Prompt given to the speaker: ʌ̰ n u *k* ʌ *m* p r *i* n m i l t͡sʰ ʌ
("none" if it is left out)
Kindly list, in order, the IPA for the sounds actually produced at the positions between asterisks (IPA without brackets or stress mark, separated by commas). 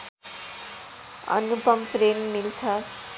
p, m, e